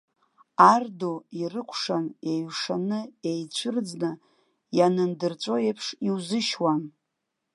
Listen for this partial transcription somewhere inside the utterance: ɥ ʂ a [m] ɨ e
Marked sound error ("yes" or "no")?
yes